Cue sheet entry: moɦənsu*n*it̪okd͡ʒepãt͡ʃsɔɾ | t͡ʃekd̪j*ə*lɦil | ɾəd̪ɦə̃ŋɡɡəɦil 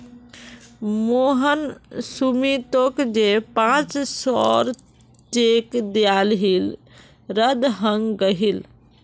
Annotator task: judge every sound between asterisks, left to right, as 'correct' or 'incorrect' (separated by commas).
incorrect, incorrect